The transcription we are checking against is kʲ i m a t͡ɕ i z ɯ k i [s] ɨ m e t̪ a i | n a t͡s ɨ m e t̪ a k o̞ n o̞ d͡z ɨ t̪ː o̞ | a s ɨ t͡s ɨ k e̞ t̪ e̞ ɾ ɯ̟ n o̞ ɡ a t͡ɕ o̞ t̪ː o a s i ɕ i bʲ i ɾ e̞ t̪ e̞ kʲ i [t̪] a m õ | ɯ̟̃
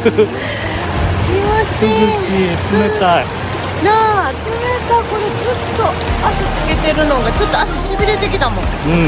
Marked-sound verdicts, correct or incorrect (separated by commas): incorrect, correct